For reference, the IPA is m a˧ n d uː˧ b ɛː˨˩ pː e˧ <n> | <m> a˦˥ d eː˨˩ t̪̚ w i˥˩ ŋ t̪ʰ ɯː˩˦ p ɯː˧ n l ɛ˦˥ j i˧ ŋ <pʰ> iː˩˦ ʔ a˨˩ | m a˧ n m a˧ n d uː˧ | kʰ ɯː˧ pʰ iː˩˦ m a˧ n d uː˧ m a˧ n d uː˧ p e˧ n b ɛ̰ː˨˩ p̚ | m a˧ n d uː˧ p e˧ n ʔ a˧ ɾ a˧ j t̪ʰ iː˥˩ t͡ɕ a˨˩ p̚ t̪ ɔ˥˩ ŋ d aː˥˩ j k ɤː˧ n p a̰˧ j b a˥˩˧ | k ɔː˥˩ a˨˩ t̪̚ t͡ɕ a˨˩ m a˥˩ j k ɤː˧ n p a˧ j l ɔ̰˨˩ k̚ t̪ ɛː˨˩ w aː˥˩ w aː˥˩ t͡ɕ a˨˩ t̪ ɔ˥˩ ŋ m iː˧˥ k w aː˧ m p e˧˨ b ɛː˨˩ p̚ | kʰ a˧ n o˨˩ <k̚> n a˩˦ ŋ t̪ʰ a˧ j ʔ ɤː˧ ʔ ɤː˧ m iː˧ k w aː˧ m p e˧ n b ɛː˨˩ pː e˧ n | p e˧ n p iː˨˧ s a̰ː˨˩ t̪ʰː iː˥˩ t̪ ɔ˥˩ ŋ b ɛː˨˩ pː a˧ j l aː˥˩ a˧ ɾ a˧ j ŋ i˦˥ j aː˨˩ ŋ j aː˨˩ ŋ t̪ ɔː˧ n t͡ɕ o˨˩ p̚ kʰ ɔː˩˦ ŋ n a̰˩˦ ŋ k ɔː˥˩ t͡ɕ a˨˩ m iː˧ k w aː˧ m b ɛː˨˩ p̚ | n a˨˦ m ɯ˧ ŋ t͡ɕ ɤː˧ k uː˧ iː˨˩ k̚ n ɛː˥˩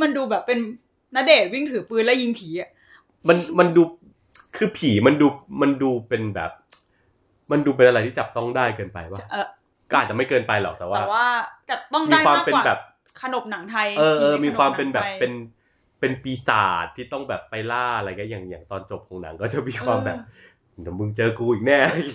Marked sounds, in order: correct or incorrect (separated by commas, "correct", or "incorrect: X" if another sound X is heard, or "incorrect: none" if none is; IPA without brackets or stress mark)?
correct, incorrect: n, correct, incorrect: p̚